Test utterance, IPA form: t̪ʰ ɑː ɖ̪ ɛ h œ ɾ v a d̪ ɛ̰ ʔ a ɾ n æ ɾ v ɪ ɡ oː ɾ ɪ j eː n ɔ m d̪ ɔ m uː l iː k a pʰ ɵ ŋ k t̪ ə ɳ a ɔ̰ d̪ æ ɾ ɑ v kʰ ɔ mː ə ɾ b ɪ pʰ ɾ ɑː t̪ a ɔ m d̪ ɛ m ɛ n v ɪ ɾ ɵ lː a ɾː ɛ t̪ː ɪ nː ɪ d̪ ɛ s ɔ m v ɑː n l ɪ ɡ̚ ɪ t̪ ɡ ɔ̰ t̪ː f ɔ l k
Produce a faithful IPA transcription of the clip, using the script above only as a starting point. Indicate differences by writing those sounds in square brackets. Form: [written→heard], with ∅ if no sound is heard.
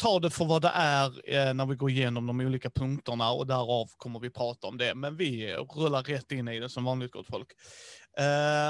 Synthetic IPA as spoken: t̪ʰ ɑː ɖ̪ ɛ [h→f] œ ɾ v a d̪ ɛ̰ ʔ [a→æ] ɾ n æ ɾ v ɪ ɡ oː ɾ ɪ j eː n ɔ m d̪ ɔ m uː l iː k a pʰ ɵ ŋ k t̪ ə ɳ a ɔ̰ d̪ æ ɾ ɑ v kʰ ɔ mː ə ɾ [b→v] ɪ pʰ ɾ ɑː t̪ a ɔ m d̪ ɛ m ɛ n v ɪ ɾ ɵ lː a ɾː ɛ t̪ː ɪ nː ɪ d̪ ɛ s ɔ m v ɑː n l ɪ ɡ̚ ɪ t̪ ɡ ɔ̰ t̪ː f ɔ l k